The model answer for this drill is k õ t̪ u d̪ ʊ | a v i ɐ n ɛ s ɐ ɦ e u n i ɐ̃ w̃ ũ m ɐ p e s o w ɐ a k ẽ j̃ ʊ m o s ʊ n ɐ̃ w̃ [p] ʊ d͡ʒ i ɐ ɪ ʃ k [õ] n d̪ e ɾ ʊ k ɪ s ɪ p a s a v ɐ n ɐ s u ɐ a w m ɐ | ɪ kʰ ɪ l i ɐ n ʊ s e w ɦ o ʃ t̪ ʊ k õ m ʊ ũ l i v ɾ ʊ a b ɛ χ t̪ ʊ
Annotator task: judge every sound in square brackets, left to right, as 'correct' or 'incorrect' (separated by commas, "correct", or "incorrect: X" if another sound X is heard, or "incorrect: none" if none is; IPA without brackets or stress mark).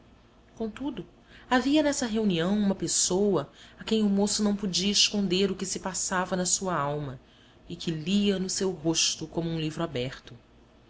correct, correct